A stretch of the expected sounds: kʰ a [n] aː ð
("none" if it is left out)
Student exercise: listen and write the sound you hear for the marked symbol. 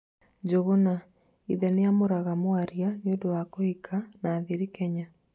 n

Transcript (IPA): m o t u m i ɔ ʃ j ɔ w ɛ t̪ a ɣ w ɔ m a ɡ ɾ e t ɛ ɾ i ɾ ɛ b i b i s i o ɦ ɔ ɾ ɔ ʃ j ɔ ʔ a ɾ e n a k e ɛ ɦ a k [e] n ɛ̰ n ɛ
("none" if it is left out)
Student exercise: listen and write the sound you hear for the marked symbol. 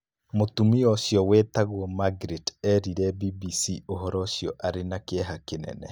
e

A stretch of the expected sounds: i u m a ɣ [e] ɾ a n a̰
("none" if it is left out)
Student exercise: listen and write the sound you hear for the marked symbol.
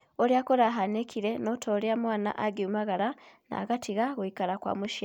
a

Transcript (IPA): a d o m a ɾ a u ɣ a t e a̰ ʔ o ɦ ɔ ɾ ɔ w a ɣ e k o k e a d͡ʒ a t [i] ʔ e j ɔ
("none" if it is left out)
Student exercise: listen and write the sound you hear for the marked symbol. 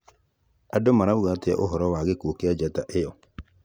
a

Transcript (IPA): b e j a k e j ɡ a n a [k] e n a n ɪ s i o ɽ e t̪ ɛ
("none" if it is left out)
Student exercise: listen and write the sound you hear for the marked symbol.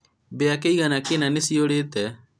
k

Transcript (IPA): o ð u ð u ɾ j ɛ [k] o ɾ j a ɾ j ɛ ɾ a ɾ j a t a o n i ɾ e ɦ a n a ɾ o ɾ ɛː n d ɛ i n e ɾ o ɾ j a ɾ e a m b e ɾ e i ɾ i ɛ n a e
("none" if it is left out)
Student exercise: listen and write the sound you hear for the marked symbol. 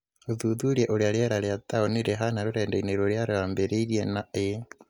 ʔ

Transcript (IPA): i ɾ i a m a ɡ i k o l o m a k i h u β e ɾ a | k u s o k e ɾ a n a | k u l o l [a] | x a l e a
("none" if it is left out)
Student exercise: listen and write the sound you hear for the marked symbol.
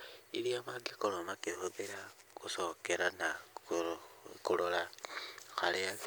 a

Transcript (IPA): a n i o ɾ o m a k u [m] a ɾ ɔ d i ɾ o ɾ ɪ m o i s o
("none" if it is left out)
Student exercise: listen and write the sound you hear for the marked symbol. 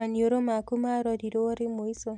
m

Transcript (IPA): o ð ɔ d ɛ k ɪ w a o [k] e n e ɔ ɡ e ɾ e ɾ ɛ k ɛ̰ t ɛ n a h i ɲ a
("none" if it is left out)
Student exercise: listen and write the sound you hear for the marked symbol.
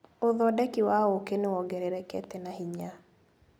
k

